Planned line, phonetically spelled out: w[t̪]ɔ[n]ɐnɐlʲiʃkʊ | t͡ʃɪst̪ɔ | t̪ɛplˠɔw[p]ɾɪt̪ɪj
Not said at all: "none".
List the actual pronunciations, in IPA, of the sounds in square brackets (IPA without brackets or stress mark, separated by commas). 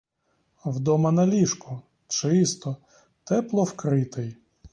d̪, m, k